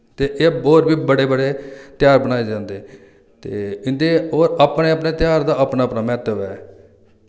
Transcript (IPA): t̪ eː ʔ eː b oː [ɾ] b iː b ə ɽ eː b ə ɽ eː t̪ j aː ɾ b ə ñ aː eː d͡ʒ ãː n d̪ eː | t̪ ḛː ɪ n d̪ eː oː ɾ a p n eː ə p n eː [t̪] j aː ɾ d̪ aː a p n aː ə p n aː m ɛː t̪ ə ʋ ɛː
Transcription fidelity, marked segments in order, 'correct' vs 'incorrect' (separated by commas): correct, correct